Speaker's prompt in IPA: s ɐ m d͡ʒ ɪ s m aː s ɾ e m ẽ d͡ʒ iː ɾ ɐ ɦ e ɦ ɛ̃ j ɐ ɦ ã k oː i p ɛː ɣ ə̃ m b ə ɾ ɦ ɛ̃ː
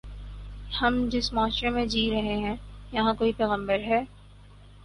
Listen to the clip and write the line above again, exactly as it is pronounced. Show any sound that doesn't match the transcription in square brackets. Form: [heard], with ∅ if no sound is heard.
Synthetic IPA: [h] ɐ m d͡ʒ ɪ s m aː [ʃ] ɾ e m ẽ d͡ʒ iː ɾ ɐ ɦ e ɦ ɛ̃ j ɐ ɦ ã k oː i p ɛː ɣ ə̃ m b ə ɾ ɦ [ɛː]